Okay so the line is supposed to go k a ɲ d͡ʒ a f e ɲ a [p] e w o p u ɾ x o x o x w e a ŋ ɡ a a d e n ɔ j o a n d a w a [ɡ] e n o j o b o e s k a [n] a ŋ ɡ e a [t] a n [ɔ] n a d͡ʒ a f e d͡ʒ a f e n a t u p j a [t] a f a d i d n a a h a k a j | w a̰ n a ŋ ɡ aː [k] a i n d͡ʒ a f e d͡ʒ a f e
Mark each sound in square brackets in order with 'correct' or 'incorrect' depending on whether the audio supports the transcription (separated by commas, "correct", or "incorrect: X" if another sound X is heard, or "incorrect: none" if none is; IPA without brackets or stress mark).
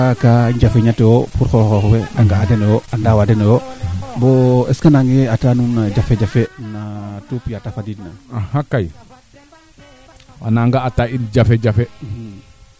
incorrect: t, incorrect: d, correct, correct, incorrect: u, correct, incorrect: t